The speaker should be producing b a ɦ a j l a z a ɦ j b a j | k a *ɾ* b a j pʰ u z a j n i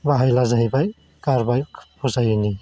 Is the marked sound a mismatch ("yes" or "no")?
no